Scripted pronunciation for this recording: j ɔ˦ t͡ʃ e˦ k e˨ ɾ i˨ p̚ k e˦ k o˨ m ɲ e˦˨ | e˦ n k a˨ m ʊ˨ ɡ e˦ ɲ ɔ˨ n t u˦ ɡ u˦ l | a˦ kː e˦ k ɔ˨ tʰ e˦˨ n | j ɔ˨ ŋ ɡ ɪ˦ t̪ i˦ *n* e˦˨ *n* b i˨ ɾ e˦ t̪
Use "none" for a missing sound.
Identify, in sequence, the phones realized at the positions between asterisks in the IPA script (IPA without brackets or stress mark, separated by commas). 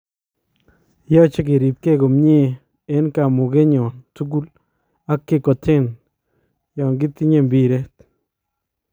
ɲ, m